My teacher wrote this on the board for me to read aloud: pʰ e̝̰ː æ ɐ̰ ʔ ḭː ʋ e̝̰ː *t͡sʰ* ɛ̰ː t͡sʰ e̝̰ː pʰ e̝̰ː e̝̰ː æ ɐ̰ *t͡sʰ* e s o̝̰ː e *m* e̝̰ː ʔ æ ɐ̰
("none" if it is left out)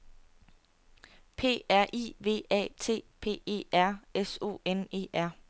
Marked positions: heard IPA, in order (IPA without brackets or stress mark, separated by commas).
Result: none, none, n